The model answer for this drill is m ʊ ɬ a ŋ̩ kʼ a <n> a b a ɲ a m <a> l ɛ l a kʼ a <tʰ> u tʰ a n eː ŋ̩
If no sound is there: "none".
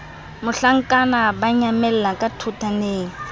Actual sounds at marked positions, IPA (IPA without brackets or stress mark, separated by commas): n, ɛ, tʰ